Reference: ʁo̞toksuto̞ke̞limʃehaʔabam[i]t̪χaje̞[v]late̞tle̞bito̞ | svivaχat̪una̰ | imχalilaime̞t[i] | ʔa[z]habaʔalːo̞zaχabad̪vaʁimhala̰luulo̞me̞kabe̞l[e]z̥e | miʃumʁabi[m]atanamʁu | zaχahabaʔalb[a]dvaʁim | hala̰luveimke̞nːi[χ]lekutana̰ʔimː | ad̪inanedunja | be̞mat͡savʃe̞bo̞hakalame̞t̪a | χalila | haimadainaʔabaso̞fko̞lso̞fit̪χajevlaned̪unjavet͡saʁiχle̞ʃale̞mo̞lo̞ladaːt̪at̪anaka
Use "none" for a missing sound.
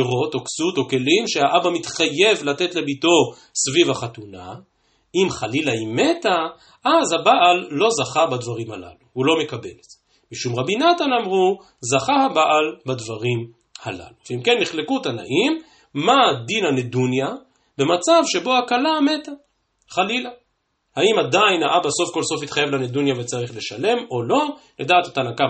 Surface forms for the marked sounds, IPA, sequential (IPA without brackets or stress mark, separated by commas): i, v, a, z, e, n, a, χ